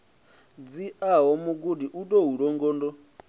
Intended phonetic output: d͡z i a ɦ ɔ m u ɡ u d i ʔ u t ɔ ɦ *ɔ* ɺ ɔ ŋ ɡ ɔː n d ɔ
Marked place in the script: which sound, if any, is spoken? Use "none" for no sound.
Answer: u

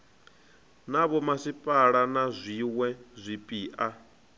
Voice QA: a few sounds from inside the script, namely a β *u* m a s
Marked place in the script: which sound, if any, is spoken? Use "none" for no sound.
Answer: ɔ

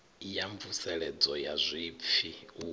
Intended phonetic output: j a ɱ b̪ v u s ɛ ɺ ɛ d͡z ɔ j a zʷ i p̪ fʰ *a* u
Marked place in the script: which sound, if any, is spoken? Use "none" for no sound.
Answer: i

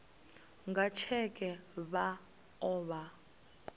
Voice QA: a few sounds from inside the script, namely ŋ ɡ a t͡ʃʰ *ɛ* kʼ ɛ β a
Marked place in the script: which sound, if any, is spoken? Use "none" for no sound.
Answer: ɛ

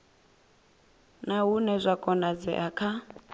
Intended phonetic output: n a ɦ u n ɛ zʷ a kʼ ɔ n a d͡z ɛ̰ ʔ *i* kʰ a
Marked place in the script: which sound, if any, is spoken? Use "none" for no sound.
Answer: a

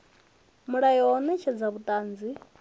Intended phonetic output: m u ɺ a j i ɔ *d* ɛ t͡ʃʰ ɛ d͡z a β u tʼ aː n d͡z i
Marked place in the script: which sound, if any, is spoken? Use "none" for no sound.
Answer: n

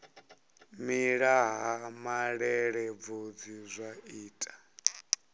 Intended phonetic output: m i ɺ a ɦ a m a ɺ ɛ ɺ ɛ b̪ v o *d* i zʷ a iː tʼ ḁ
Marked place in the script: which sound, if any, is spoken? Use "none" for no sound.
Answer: d͡z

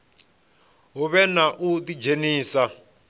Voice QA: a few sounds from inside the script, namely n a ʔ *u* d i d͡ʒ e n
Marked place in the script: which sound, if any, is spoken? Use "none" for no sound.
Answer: u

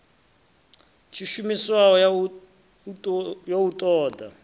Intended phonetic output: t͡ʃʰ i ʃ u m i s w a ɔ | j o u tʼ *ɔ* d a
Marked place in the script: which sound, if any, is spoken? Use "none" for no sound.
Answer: ɔː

